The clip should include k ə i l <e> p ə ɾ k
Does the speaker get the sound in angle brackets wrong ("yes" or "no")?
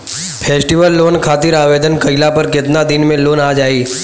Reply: yes